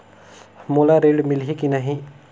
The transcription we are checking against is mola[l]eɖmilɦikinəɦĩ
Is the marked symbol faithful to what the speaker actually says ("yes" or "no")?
no